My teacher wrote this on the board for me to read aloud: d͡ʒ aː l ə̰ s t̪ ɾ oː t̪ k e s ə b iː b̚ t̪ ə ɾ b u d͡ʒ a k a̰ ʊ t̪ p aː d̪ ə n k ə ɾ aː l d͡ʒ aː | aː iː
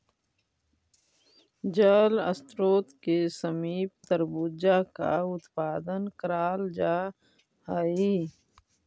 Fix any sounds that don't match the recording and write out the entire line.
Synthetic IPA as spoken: d͡ʒ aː l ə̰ s t̪ ɾ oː t̪ k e s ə m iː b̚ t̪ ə ɾ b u d͡ʒ a k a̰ ʊ t̪ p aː d̪ ə n k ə ɾ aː l d͡ʒ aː | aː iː